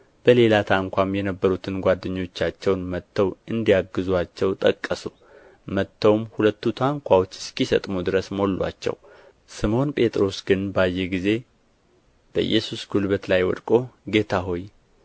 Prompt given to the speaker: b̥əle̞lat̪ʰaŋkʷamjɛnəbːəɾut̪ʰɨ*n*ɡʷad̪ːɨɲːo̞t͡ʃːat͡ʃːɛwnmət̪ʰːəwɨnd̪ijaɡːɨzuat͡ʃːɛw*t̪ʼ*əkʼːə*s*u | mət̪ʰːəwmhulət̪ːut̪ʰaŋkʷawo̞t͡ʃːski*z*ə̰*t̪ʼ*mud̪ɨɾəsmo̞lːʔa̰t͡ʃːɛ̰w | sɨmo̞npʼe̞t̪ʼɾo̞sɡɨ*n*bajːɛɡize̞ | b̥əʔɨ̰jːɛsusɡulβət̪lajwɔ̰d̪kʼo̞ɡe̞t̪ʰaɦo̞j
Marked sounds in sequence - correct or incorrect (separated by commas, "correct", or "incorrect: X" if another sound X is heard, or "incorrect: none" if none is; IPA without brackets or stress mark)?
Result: correct, correct, correct, incorrect: s, correct, correct